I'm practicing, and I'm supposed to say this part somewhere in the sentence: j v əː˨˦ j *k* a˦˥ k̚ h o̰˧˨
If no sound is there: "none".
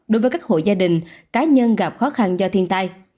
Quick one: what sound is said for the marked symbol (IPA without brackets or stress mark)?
k